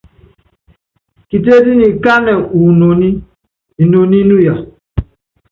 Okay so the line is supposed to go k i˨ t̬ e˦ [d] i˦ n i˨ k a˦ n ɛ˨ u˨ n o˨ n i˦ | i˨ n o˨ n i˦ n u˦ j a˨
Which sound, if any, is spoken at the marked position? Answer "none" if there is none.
d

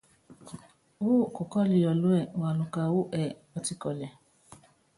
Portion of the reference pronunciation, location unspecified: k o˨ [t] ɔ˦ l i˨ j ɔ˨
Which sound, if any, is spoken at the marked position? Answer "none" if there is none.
k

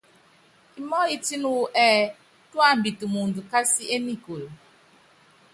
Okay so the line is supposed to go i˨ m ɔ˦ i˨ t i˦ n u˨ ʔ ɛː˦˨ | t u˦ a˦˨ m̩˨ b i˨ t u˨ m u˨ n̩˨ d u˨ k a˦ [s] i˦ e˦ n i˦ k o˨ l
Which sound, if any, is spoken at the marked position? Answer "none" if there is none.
s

